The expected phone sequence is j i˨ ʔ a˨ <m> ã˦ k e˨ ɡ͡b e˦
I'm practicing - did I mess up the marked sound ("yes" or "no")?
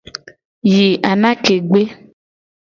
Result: yes